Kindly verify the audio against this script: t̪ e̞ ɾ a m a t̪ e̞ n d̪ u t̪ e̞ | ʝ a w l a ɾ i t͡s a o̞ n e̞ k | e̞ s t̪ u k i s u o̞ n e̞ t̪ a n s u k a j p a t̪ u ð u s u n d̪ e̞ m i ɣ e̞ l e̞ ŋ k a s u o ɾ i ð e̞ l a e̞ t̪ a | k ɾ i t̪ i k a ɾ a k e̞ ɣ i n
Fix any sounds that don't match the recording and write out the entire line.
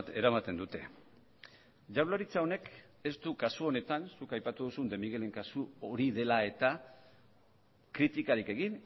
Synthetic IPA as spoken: t̪ e̞ ɾ a m a t̪ e̞ n d̪ u t̪ e̞ | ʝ a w l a ɾ i t͡s a o̞ n e̞ k | e̞ s t̪ u k a s u o̞ n e̞ t̪ a n s u k a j p a t̪ u ð u s u n d̪ e̞ m i ɣ e̞ l e̞ ŋ k a s u o ɾ i ð e̞ l a e̞ t̪ a | k ɾ i t̪ i k a ɾ i k e̞ ɣ i n